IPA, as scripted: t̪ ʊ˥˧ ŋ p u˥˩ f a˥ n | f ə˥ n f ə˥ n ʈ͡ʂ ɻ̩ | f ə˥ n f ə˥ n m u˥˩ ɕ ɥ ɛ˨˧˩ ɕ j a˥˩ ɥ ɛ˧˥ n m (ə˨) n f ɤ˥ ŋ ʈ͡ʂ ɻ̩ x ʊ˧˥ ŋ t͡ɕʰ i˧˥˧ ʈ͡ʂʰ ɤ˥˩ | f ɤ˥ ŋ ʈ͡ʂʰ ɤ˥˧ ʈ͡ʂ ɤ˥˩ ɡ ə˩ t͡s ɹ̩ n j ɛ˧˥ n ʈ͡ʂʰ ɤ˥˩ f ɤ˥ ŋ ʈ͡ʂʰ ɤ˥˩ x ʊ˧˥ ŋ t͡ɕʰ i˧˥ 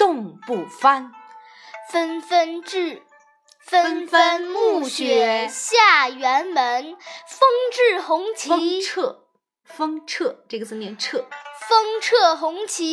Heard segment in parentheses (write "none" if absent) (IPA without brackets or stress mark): ə˧˥